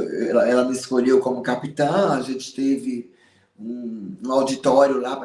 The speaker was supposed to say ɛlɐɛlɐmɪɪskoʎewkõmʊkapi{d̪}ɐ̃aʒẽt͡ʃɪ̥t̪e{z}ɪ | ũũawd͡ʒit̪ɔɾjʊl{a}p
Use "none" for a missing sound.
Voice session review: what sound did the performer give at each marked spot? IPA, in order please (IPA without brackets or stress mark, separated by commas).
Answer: t̪, v, a